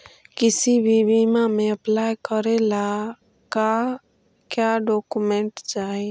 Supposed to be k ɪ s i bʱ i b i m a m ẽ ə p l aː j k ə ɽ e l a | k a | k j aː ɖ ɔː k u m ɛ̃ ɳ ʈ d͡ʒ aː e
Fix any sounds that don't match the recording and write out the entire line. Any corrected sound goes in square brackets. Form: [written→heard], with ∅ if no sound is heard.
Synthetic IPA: k ɪ s i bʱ i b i m a m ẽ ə p l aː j k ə [ɽ→ɾ] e l a | k a | k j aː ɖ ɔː k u m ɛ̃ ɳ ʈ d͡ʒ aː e